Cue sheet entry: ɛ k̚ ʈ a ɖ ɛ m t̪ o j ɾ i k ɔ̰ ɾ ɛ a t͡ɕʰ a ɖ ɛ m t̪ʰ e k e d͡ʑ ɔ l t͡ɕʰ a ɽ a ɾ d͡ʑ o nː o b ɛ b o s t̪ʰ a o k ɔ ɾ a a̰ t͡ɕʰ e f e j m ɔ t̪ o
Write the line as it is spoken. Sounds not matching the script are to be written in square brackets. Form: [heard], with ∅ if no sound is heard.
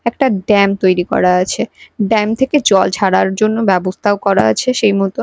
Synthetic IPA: ɛ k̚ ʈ a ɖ ɛ m t̪ o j ɾ i k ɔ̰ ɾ [a] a t͡ɕʰ [e] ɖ ɛ m t̪ʰ e k e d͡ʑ ɔ l t͡ɕʰ a ɽ a ɾ d͡ʑ o nː o b ɛ b o s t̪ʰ a o k ɔ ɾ a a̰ t͡ɕʰ e [ʃ] e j m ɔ t̪ o

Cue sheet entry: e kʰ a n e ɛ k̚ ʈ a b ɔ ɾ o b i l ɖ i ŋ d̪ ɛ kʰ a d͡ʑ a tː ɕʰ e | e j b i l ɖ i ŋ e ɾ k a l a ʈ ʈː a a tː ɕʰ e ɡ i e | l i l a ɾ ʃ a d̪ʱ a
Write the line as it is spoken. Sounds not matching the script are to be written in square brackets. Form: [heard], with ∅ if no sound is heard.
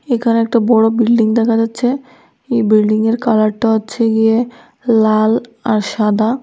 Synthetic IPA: e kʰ a n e ɛ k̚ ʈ a b ɔ [ɽ] o b i l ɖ i ŋ d̪ ɛ kʰ a d͡ʑ a tː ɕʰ e | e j b i l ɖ i ŋ e ɾ k a l a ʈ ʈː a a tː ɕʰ e ɡ i e | l [a] l a ɾ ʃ a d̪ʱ a

